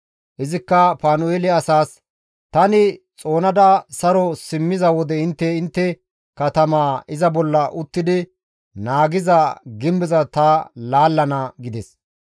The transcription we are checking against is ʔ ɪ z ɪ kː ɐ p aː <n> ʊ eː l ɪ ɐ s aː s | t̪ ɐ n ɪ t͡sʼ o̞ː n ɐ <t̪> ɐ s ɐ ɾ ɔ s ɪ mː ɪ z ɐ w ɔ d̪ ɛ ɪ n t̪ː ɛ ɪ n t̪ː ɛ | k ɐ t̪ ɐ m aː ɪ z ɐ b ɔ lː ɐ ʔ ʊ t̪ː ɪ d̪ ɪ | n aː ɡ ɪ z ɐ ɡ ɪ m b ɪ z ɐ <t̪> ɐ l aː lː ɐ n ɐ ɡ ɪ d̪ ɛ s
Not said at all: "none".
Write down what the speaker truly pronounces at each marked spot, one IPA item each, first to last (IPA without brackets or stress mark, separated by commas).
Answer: n, d̪, t̪